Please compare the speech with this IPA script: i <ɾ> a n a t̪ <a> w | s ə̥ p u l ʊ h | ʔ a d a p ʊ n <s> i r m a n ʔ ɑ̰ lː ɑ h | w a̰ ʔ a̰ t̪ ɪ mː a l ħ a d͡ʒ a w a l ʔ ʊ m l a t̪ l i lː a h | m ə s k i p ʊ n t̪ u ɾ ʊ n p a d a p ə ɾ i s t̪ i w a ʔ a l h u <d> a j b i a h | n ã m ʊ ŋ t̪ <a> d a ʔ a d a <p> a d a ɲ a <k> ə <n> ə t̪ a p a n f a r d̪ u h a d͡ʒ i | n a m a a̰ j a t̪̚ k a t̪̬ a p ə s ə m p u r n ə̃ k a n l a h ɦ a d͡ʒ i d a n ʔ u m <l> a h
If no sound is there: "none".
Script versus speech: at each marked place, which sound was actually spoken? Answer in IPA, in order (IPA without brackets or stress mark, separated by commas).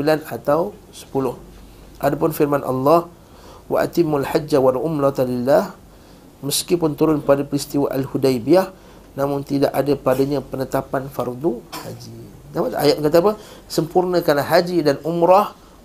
l, a, f, d, i, p, p, n, ɾ